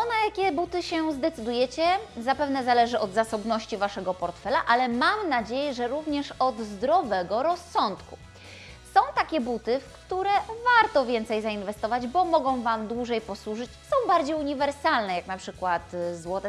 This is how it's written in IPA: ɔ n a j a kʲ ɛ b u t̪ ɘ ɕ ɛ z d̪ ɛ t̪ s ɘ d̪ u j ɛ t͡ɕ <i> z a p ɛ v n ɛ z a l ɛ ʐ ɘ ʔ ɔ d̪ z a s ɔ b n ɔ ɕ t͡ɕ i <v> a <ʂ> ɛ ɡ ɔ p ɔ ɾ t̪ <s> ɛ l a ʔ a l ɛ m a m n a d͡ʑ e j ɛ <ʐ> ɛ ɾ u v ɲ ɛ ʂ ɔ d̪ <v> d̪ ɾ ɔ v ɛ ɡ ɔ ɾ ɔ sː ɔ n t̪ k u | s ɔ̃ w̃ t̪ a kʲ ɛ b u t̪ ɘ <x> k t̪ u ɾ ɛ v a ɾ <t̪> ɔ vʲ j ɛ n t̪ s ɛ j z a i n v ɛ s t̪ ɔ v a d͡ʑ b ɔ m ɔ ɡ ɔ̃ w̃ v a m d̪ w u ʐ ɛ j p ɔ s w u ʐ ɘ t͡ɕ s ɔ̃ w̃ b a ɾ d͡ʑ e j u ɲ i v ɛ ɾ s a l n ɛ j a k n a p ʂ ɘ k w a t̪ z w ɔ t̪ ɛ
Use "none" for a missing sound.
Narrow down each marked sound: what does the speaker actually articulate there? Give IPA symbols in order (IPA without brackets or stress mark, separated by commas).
ɛ, v, ʂ, f, ʐ, z, f, t̪